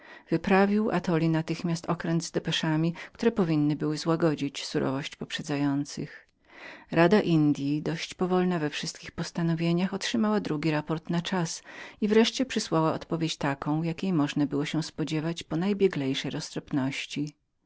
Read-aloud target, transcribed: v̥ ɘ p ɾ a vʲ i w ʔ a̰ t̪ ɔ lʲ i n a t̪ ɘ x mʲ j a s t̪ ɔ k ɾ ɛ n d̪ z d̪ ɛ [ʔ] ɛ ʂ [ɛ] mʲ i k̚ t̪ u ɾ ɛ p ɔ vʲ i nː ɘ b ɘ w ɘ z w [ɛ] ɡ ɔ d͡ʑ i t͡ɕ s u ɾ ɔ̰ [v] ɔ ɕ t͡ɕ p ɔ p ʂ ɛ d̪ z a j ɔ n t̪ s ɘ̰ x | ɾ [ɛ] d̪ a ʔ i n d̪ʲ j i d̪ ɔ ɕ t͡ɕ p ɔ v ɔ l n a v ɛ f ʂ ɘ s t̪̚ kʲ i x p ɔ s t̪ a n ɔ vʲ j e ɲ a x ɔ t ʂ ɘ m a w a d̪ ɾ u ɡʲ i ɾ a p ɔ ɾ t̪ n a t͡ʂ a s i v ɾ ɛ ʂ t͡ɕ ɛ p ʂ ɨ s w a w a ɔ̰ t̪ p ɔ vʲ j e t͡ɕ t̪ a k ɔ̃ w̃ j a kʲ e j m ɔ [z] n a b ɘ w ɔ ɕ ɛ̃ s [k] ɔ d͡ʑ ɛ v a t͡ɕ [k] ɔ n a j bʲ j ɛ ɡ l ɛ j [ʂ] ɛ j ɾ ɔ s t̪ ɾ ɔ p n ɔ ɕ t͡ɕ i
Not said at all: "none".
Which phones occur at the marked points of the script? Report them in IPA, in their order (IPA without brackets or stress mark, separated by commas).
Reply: p, a, a, v, a, ʐ, p, p, ʂ